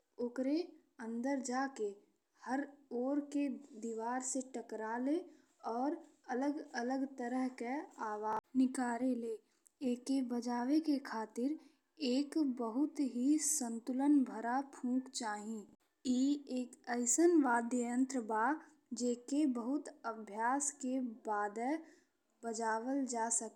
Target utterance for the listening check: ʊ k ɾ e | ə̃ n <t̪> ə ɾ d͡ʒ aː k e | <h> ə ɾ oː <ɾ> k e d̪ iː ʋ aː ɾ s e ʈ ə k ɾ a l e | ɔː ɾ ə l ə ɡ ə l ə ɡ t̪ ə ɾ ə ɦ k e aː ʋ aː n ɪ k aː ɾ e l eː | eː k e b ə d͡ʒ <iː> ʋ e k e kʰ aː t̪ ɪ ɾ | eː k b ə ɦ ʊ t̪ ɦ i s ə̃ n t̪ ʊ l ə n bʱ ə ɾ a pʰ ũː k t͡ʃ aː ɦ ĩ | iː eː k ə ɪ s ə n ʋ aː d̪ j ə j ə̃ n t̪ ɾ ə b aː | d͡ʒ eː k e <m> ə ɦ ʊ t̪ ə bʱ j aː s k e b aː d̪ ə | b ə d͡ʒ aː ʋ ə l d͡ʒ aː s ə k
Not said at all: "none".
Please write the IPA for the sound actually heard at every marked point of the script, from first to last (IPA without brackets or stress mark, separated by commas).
d̪, h, ɾ, aː, b